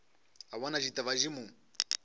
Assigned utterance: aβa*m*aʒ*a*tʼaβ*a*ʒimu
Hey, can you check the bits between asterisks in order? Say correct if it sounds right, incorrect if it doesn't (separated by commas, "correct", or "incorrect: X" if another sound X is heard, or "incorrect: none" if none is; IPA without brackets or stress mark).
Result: incorrect: n, incorrect: i, correct